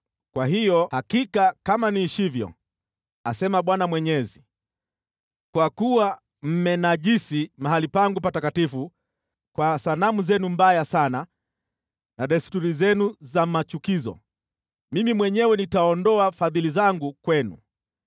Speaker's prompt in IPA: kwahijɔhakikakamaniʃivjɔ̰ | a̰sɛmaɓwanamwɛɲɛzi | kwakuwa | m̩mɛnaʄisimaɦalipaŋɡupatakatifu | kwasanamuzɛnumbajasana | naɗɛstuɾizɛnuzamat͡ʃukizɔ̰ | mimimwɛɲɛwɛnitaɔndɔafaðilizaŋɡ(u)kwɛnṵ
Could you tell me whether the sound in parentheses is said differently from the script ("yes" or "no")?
no